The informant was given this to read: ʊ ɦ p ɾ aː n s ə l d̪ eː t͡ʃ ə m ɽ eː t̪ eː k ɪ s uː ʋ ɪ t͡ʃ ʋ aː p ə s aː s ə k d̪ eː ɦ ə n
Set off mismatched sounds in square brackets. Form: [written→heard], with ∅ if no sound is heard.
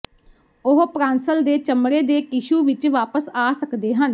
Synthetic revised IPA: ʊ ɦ p ɾ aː n s ə l d̪ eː t͡ʃ ə m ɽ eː [t̪→d̪] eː k ɪ [s→ʃ] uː ʋ ɪ t͡ʃ ʋ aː p ə s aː s ə k d̪ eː ɦ ə n

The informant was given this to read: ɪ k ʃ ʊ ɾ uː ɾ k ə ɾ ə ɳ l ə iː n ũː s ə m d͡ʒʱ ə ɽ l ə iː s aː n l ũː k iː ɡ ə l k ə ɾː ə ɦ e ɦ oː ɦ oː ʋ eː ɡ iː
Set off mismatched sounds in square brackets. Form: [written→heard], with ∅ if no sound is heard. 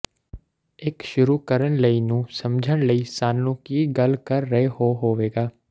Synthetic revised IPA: ɪ k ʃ ʊ ɾ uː [ɾ→∅] k ə ɾ ə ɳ l ə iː n ũː s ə m d͡ʒʱ ə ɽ l ə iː s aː n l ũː k iː ɡ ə l k ə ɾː ə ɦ e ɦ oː ɦ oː ʋ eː ɡ [iː→aː]

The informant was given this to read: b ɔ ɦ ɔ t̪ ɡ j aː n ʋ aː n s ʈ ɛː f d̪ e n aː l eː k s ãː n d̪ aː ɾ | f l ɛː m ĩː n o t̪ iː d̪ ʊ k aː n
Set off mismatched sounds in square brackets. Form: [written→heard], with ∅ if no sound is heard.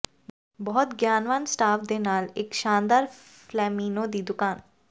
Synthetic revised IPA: b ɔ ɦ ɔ t̪ ɡ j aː n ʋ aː n s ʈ [ɛː→aː] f d̪ e n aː l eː k [s→ʃ] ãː n d̪ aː ɾ | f l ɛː m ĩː n o [t̪→d̪] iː d̪ ʊ k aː n

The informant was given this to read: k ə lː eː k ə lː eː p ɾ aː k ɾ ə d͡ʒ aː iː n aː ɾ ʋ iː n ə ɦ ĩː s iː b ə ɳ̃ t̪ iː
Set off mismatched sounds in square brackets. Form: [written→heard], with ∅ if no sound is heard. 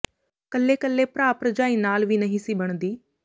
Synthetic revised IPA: k ə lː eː k ə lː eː p ɾ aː [k→p] ɾ ə d͡ʒ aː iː n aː [ɾ→l] ʋ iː n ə ɦ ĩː s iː b ə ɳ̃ [t̪→d̪] iː

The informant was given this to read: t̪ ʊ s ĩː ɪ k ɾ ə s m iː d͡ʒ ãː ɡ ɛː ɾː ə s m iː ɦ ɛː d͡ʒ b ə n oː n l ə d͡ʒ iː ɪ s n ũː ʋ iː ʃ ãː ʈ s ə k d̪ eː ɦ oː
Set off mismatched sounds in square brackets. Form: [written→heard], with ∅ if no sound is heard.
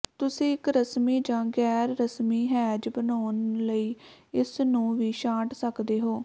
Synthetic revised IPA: t̪ ʊ s ĩː ɪ k ɾ ə s m iː d͡ʒ ãː ɡ ɛː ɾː ə s m iː ɦ ɛː d͡ʒ b ə n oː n l ə [d͡ʒ→∅] iː ɪ s n ũː ʋ iː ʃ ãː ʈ s ə k d̪ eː ɦ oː

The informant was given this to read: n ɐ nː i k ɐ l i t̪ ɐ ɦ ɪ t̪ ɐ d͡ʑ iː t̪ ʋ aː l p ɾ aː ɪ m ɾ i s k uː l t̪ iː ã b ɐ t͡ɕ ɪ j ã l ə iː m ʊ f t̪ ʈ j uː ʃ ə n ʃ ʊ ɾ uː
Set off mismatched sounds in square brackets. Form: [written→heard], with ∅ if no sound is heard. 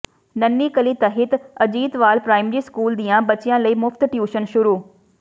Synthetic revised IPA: n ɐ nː i k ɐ l i t̪ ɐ ɦ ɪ t̪ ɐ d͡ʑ iː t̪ ʋ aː l p ɾ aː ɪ m ɾ i s k uː l [t̪→d̪] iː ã b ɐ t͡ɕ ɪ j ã l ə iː m ʊ f t̪ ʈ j uː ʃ ə n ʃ ʊ ɾ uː

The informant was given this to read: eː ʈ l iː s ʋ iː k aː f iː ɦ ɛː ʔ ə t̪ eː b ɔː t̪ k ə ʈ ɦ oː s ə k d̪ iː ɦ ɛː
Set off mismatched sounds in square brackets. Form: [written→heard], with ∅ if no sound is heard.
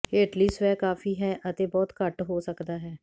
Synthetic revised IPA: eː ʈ l iː s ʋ [iː→ɛː] k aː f iː ɦ ɛː ʔ ə t̪ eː b ɔː t̪ k ə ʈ ɦ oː s ə k d̪ [iː→aː] ɦ ɛː

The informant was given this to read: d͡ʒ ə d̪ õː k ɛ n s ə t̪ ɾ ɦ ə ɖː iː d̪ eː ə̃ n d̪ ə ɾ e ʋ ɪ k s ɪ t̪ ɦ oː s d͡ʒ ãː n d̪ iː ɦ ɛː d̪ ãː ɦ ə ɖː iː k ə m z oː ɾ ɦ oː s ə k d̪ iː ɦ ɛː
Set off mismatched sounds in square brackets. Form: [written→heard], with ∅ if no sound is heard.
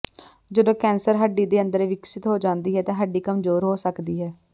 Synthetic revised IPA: d͡ʒ ə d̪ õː k [ɛ→ɛː] n s ə [t̪→∅] ɾ ɦ ə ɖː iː d̪ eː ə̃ n d̪ ə ɾ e ʋ ɪ k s ɪ t̪ ɦ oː [s→∅] d͡ʒ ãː n d̪ iː ɦ ɛː [d̪→t̪] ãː ɦ ə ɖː iː k ə m z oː ɾ ɦ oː s ə k d̪ iː ɦ ɛː

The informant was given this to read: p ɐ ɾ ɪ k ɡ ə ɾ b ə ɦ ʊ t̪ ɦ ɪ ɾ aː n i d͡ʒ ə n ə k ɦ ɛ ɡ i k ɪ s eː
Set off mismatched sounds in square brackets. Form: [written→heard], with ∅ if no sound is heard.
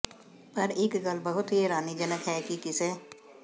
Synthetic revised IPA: p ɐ ɾ ɪ k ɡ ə [ɾ→l] b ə ɦ ʊ t̪ ɦ [ɪ→i] ɾ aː n i d͡ʒ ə n ə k ɦ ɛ [ɡ→k] i k ɪ s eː

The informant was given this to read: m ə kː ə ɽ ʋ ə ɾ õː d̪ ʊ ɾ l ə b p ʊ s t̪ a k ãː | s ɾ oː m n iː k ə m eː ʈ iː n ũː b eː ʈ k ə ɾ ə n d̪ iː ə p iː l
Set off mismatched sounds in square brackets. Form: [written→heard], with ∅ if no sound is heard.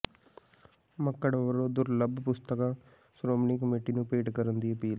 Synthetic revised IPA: m ə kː ə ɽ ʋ ə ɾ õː d̪ ʊ ɾ l ə b p ʊ s t̪ [a→ə] k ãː | s ɾ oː m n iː k ə m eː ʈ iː n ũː [b→p] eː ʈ k ə ɾ ə n d̪ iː ə p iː l

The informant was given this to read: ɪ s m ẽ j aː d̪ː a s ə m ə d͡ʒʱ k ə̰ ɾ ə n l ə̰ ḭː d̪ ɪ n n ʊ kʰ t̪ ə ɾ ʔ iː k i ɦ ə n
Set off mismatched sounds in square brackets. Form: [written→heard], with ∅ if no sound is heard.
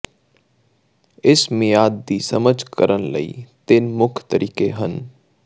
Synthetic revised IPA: ɪ s m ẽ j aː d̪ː [a→i] s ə m ə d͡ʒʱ k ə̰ ɾ ə n l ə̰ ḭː [d̪→t̪] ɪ n [n→m] ʊ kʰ t̪ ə ɾ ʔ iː k [i→e] ɦ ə n

